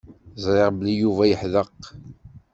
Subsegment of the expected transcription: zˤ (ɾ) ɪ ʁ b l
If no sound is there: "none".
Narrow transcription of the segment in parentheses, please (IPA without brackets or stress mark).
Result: ɾ